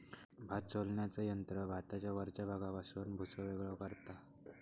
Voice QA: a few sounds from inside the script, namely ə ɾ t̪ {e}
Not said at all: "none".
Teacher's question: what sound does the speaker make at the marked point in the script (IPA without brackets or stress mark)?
a